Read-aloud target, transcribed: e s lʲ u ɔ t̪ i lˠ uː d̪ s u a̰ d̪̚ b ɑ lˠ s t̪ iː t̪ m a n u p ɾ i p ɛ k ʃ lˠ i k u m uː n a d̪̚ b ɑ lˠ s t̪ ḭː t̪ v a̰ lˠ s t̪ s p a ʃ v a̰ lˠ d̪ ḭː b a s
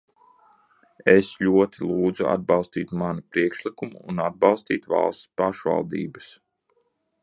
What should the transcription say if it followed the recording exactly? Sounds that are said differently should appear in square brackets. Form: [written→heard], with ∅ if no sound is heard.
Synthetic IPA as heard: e s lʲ u ɔ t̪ i lˠ uː d̪ [s→z] u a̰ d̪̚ b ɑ lˠ s t̪ iː t̪ m a n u p ɾ i [p→∅] ɛ k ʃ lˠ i k u m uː n a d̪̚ b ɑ lˠ s t̪ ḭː t̪ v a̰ lˠ s t̪ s p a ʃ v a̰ lˠ d̪ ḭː b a s